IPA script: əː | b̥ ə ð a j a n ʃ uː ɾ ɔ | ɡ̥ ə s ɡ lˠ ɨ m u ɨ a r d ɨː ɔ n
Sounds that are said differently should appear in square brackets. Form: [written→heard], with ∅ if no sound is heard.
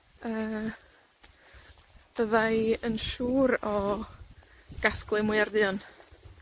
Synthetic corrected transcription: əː | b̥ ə ð a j [a→ə] n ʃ uː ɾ ɔ | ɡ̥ [ə→a] s [ɡ→k] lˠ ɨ m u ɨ a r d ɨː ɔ n